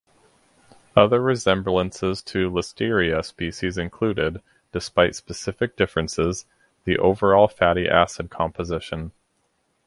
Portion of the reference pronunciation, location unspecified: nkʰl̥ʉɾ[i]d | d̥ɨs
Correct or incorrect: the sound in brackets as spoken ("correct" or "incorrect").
incorrect